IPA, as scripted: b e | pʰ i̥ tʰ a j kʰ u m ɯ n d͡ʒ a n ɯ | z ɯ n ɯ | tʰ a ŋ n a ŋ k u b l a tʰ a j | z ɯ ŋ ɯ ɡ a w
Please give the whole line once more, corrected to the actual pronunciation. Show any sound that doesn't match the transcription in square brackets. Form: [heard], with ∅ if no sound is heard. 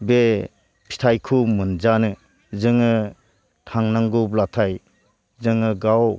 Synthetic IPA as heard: b e | pʰ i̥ tʰ a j kʰ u m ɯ n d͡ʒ a n ɯ | z ɯ [ŋ] ɯ | tʰ a ŋ n a ŋ [ɡ] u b l a tʰ a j | z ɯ ŋ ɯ ɡ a w